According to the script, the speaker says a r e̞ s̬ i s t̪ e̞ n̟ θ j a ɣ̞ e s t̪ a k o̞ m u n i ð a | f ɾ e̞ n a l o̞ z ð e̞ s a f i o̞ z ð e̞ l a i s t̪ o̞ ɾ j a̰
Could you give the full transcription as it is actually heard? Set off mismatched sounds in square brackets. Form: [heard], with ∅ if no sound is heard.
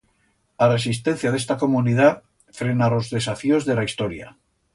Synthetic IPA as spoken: a r e̞ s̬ i s t̪ e̞ n̟ θ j a [ð̞] e s t̪ a k o̞ m u n i ð a | f ɾ e̞ n a l o̞ z ð e̞ s a f i o̞ z ð e̞ l a i s t̪ o̞ ɾ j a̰